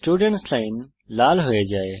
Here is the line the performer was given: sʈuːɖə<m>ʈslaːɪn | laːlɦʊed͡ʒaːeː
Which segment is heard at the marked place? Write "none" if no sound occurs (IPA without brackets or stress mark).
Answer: ɳ